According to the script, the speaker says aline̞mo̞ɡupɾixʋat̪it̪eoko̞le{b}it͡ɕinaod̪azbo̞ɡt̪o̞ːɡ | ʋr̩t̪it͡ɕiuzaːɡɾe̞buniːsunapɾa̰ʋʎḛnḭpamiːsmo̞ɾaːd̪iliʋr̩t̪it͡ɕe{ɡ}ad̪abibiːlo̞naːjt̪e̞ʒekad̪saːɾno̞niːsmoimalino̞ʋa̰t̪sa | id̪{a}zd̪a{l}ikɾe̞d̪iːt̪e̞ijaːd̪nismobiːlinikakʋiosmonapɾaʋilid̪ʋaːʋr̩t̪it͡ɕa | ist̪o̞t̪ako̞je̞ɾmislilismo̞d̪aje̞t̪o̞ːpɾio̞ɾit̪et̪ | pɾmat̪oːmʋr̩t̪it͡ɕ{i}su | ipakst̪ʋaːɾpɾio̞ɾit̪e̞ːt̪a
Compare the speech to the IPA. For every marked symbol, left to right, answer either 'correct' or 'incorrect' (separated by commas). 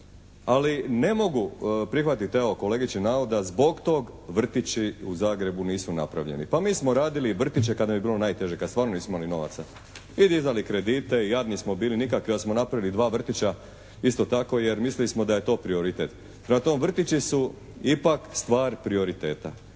incorrect, incorrect, incorrect, correct, correct